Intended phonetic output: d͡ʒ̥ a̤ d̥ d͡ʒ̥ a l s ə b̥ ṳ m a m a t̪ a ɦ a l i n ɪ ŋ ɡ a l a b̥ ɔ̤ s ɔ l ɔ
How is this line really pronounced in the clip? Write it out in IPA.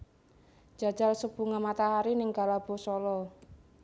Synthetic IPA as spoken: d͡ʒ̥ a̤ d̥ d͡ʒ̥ a l s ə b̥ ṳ ŋ a m a t̪ a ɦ a ɾ i n ɪ ŋ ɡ a l a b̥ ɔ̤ s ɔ l ɔ